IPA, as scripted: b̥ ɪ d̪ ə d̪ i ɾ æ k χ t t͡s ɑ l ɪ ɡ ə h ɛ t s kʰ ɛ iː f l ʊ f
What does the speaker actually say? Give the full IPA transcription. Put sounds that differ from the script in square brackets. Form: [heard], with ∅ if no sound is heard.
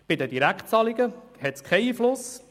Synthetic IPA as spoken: b̥ ɪ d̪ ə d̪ i ɾ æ k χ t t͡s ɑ l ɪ ɡ ə h ɛ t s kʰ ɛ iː f l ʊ [s]